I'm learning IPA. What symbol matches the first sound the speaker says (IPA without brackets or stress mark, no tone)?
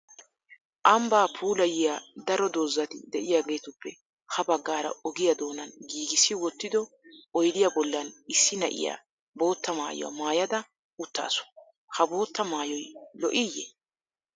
ʔ